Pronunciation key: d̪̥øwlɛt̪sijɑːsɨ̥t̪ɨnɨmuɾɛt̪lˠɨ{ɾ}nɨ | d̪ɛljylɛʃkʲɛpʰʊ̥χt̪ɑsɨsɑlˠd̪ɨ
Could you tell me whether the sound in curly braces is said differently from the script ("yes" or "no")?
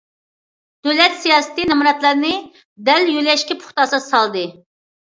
no